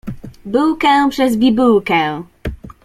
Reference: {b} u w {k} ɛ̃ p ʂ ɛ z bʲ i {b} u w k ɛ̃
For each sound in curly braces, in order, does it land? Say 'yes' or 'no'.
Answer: yes, yes, yes

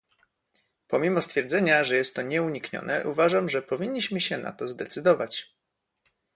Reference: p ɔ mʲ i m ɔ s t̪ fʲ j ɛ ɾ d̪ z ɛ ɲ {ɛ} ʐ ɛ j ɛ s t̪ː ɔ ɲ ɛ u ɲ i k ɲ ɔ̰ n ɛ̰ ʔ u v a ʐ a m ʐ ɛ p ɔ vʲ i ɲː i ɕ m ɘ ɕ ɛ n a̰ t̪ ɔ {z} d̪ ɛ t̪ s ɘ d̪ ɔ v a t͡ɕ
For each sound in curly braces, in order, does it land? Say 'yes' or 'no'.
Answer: no, yes

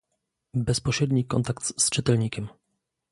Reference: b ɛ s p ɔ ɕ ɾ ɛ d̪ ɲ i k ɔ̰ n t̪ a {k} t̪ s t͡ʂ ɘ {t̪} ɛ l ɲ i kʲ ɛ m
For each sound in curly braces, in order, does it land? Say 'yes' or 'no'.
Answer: yes, yes

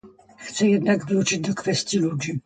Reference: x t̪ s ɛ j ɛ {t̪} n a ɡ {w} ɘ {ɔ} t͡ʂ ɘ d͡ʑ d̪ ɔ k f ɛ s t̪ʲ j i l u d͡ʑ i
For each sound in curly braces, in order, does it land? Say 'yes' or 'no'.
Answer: no, no, no

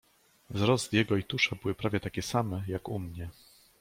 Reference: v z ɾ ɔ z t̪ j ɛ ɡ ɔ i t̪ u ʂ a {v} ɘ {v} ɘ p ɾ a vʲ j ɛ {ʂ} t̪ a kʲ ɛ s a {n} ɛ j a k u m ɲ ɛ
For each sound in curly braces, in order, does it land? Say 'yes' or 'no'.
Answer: no, no, no, no

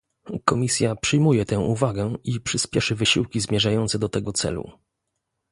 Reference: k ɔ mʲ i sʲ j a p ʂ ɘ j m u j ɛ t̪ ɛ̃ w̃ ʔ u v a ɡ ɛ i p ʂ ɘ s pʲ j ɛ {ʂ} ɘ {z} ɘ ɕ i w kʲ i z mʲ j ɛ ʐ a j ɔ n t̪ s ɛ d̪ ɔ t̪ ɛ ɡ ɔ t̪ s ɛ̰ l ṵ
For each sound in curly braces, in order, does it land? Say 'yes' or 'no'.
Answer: yes, no

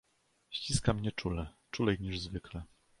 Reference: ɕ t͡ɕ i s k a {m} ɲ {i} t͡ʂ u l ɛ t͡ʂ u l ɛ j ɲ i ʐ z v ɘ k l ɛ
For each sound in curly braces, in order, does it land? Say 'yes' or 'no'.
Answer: yes, no

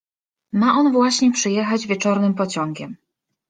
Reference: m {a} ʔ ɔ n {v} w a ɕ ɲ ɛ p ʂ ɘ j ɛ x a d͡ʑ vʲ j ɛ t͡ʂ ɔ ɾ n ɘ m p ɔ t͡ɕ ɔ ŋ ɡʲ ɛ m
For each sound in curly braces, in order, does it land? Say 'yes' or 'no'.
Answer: yes, yes

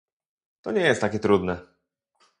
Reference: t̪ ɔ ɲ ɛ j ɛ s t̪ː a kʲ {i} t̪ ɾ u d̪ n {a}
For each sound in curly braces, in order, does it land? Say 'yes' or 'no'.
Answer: no, no

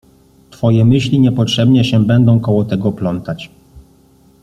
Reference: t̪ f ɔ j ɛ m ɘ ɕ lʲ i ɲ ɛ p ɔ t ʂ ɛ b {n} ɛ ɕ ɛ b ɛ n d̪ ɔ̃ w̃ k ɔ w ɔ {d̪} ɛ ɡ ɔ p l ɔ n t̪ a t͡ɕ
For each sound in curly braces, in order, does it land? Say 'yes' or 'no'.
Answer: no, no

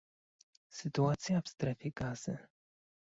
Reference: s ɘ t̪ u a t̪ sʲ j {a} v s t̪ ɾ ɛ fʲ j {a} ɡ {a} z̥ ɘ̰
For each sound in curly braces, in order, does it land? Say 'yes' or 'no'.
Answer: yes, no, yes

